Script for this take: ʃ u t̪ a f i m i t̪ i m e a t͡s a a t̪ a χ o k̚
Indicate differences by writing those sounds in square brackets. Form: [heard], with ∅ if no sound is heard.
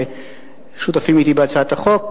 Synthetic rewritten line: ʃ u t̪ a f i m i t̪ i [b] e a t͡s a a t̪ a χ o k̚